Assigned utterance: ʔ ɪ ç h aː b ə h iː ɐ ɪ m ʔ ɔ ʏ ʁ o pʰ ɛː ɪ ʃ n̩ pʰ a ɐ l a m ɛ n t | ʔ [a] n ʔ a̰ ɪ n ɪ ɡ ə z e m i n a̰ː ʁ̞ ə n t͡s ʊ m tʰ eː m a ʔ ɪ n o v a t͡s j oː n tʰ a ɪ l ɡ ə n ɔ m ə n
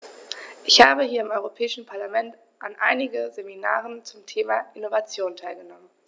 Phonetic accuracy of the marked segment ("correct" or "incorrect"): correct